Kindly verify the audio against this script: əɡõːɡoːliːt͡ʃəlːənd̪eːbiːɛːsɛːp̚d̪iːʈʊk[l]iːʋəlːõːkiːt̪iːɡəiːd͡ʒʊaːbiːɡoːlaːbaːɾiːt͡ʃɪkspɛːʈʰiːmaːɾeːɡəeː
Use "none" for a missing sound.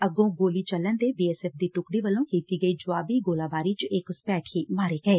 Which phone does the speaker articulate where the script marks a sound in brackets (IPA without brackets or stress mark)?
ɽ